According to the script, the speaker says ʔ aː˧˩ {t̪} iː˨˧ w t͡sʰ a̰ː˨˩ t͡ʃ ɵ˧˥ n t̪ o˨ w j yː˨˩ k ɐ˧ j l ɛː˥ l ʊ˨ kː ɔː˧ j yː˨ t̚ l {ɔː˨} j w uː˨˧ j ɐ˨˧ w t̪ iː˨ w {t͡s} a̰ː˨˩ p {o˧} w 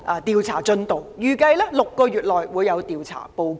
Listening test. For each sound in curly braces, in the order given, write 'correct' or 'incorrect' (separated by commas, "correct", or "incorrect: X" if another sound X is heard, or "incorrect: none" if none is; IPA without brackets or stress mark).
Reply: correct, correct, incorrect: t͡sʰ, correct